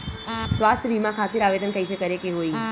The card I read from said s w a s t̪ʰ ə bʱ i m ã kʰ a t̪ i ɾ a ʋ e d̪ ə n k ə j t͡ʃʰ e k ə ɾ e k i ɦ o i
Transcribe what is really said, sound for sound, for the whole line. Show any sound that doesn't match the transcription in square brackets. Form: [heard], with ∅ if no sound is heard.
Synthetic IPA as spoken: s [ʋ] a s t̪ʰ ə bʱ i m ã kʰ a t̪ i ɾ a ʋ e d̪ ə n k ə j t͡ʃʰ e k ə ɾ e k [e] ɦ o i